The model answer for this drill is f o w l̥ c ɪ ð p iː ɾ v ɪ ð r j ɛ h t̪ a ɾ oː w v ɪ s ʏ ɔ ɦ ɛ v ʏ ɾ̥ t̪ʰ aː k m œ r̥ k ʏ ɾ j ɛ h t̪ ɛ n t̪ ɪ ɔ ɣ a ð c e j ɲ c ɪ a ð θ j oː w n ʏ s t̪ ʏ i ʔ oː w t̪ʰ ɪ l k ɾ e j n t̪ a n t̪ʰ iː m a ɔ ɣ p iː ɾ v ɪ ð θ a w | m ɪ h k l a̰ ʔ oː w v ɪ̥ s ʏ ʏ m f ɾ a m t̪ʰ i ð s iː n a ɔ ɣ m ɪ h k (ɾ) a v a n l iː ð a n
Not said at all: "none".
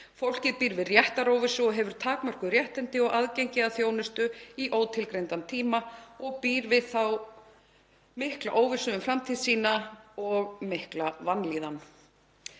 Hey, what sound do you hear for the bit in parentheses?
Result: l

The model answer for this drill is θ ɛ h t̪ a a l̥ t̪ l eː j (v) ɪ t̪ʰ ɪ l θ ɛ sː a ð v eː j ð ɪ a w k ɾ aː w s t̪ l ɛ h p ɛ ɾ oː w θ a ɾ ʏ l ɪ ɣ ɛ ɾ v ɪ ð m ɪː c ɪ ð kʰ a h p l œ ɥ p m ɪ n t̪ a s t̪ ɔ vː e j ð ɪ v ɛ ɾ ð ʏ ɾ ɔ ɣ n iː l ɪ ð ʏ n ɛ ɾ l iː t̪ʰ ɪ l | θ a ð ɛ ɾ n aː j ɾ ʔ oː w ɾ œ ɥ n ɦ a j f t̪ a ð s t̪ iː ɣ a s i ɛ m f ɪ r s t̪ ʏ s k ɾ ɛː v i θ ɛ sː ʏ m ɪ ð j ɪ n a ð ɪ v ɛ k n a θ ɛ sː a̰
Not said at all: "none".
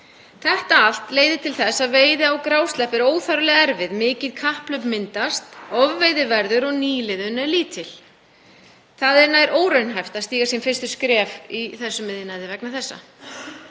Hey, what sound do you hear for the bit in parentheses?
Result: ð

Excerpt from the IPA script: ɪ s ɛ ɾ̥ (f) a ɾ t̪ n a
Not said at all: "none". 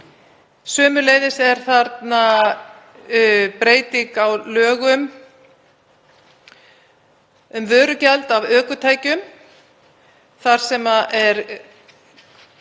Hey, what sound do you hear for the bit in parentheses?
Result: θ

